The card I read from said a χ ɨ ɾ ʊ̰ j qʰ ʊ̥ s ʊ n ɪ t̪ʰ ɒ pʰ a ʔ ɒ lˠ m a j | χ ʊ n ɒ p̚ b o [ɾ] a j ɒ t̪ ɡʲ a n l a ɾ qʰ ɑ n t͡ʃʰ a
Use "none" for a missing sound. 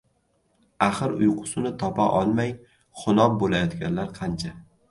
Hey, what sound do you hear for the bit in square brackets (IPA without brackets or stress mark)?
l